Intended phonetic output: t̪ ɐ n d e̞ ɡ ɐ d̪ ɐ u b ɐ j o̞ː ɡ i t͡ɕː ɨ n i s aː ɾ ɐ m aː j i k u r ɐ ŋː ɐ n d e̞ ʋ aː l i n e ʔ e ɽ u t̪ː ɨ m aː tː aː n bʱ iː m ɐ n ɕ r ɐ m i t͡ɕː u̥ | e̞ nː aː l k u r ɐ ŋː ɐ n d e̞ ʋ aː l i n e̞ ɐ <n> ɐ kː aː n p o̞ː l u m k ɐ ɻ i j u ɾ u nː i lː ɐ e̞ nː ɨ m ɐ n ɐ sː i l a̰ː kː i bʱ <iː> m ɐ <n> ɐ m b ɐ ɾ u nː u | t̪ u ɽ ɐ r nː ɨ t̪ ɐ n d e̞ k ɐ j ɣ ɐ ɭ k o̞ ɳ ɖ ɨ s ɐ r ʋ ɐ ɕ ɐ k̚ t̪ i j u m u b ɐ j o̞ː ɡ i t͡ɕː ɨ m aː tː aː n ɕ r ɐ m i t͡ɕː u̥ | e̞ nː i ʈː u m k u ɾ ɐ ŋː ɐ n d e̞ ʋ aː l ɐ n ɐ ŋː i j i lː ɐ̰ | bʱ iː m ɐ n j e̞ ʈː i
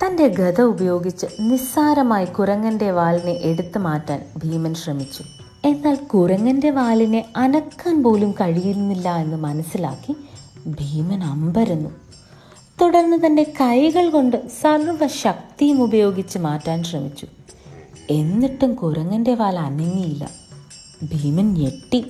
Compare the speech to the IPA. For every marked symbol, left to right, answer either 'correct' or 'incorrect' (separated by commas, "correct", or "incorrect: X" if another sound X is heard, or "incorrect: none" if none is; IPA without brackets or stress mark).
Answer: correct, correct, correct